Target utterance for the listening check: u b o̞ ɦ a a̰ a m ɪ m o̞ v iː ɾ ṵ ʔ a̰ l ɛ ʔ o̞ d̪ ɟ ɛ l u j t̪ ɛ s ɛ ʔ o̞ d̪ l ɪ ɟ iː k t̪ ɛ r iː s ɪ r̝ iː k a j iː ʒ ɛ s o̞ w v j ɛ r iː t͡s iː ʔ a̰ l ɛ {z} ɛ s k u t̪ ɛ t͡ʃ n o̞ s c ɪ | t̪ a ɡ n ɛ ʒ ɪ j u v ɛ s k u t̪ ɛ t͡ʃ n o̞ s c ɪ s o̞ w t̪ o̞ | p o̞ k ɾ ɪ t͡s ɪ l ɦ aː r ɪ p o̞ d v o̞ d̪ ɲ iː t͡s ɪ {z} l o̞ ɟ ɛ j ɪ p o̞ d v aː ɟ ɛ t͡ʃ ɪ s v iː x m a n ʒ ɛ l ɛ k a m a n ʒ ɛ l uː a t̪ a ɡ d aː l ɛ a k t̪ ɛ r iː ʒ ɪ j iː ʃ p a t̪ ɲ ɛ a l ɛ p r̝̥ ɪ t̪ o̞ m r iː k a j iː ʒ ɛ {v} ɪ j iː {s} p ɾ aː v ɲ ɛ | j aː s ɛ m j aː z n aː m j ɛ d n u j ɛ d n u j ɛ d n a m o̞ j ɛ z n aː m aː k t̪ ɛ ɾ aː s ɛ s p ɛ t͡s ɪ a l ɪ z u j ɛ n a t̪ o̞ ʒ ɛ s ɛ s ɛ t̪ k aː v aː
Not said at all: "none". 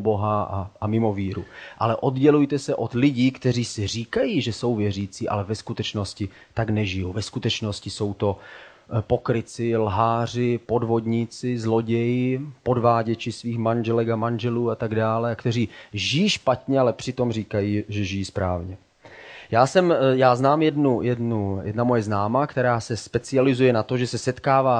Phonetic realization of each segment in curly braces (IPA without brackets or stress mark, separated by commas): v, z, ʒ, s